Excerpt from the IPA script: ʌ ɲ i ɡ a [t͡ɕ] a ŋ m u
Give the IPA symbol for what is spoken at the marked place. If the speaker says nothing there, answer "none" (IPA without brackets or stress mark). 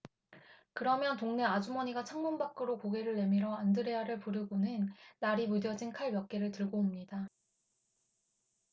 t͡ɕʰ